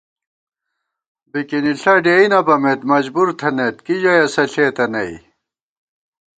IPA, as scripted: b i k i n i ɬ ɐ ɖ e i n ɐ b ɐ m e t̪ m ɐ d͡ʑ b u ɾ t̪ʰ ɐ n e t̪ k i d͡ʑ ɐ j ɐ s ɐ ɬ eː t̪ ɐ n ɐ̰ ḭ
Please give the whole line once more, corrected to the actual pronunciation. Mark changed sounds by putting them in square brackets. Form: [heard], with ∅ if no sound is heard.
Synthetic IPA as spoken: b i k i n i ɬ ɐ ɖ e i n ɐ b ɐ m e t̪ m ɐ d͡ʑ b u ɾ t̪ʰ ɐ n e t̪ k i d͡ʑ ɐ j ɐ s ɐ ɬ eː t̪ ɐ n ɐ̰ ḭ